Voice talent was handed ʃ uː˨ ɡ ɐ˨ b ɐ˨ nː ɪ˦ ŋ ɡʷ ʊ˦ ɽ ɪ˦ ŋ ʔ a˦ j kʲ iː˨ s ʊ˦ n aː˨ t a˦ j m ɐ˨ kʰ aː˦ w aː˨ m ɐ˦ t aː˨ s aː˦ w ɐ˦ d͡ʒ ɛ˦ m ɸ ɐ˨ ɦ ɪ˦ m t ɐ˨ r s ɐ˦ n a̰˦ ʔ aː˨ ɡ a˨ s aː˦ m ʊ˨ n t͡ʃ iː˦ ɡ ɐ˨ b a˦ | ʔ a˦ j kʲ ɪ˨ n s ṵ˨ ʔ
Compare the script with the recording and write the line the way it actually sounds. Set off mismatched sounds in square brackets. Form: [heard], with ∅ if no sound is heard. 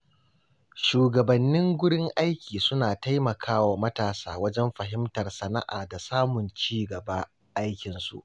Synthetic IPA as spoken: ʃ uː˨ ɡ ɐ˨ b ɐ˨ nː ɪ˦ ŋ ɡʷ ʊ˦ ɽ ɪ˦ ŋ ʔ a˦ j kʲ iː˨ s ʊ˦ n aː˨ t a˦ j m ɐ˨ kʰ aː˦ w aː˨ m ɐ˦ t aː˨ s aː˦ w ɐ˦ d͡ʒ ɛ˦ m ɸ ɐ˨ ɦ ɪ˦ m t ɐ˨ r s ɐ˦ n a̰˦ ʔ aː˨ [d] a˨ s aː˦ m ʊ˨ n t͡ʃ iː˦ ɡ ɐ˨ b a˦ | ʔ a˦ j kʲ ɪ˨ n s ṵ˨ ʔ